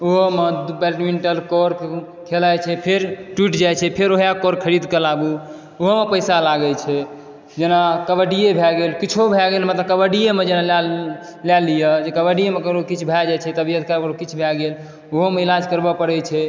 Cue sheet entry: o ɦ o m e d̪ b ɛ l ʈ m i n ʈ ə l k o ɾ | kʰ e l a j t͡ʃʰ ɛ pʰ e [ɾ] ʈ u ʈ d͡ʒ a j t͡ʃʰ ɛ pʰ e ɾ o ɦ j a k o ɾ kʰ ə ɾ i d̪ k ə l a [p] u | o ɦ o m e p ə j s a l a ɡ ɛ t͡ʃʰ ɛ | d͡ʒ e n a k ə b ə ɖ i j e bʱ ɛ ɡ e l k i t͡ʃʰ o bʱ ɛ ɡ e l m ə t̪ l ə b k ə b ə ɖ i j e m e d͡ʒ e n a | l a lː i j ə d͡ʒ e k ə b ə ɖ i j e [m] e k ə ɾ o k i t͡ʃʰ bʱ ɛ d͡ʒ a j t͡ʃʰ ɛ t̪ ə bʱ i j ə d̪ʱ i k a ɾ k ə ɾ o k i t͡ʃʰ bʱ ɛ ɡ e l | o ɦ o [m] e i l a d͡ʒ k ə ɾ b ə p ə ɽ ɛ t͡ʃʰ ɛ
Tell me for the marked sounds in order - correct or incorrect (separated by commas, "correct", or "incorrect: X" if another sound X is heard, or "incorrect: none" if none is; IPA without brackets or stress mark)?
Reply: correct, incorrect: b, correct, correct